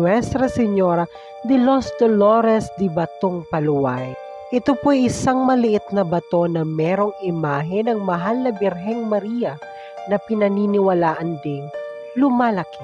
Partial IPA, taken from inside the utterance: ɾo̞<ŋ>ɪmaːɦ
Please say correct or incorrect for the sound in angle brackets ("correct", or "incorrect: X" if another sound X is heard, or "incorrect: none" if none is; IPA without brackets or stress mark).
correct